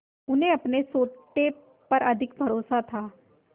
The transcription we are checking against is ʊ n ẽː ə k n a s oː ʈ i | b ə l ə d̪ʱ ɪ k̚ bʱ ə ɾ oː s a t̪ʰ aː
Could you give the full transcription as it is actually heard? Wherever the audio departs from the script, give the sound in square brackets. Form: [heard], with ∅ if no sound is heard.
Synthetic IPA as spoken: ʊ n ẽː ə [p] n [e] s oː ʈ [e] | [p] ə [ɾ] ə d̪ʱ ɪ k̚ bʱ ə ɾ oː s a t̪ʰ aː